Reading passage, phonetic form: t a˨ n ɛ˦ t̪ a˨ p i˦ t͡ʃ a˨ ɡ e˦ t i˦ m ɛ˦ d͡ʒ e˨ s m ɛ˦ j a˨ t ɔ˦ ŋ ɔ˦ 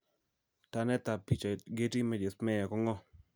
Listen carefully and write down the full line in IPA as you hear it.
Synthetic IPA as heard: t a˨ n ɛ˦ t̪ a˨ p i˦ t͡ʃ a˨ ɡ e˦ t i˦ m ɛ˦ d͡ʒ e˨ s m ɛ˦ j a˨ k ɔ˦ ŋ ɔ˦

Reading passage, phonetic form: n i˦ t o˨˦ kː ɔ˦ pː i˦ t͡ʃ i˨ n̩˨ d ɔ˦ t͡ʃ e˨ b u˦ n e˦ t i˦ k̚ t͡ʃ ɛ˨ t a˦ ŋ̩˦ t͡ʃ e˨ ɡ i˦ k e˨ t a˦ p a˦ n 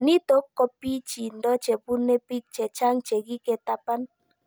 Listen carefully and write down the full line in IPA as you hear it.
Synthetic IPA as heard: n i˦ t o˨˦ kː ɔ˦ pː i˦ t͡ʃ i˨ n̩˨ d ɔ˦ t͡ʃ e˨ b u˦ n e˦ p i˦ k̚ t͡ʃ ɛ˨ t͡ʃ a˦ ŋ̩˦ t͡ʃ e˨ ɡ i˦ k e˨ t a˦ p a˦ n

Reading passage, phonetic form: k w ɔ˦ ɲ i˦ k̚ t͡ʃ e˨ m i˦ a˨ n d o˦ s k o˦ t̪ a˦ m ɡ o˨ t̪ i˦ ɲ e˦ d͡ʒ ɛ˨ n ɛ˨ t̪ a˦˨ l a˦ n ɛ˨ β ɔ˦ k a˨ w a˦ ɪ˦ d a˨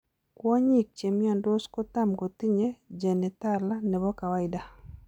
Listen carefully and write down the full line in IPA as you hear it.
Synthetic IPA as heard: k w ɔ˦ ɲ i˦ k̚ t͡ʃ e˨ m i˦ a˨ n d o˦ s k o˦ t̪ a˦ m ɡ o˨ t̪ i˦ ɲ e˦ d͡ʒ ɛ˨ n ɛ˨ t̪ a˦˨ l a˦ n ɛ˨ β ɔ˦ k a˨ w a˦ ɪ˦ d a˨

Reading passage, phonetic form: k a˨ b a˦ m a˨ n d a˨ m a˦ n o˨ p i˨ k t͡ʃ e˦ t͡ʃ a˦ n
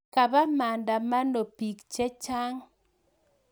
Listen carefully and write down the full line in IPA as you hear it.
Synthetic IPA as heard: k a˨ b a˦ m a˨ n d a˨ m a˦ n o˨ p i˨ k t͡ʃ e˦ t͡ʃ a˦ ŋ

